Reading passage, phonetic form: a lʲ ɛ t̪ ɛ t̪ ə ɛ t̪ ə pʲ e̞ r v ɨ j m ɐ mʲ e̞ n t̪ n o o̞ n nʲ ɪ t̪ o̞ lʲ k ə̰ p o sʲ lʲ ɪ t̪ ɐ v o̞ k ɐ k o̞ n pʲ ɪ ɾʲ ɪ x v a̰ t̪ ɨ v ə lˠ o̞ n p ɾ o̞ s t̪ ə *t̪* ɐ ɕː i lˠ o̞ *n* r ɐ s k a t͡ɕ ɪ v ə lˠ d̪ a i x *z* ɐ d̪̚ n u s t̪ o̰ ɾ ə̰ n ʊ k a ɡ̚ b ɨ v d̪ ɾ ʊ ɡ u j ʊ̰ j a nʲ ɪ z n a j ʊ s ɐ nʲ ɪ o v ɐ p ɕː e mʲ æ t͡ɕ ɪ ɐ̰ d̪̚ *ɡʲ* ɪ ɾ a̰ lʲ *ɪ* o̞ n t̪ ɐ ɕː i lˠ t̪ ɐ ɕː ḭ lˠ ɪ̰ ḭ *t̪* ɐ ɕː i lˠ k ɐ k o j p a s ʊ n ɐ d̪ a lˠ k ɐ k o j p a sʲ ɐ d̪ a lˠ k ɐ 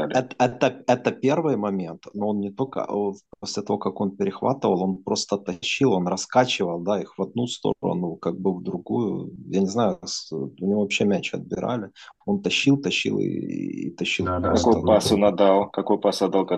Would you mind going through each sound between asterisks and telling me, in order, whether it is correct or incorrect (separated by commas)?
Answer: correct, correct, incorrect, incorrect, correct, correct